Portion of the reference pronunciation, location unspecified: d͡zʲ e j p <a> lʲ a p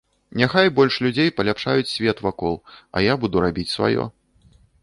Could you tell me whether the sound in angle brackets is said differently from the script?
yes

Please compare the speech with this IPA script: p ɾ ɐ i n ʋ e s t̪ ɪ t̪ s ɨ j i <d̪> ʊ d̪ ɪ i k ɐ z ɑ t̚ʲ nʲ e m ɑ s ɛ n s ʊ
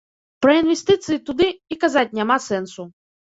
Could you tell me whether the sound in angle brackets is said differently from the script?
yes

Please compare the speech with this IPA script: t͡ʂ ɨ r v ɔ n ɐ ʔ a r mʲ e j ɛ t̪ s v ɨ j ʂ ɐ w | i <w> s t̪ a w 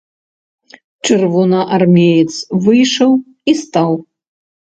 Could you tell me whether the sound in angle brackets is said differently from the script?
yes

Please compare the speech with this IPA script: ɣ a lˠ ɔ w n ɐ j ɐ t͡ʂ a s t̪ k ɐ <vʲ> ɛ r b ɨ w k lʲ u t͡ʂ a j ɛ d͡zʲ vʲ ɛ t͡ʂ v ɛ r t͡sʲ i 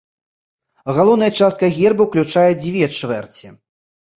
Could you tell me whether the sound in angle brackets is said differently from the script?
yes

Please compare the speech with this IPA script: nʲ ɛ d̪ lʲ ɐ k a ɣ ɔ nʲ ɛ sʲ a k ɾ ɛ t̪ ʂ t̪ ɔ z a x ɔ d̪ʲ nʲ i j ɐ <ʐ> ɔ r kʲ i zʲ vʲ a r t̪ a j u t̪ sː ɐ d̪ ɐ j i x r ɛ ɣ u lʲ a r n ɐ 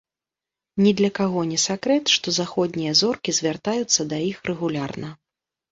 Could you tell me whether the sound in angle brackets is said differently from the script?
yes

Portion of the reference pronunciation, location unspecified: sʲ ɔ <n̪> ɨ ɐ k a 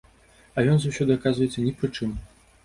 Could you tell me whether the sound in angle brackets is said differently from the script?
yes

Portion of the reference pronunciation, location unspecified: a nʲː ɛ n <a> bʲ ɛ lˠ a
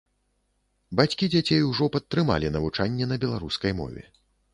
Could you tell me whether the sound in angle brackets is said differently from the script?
yes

